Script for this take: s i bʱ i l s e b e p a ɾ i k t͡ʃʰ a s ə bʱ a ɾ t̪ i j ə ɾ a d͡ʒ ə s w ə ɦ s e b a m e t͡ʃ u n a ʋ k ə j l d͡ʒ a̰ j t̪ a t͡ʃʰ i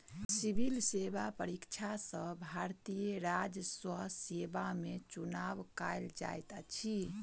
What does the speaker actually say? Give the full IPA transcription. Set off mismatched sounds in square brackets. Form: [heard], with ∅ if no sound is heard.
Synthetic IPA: s i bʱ i l s e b [a] p [ə] ɾ i k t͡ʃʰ a s ə bʱ a ɾ t̪ i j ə ɾ a d͡ʒ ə s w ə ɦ s e b a m e t͡ʃ u n a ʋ k [a] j l d͡ʒ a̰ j t̪ a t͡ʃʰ i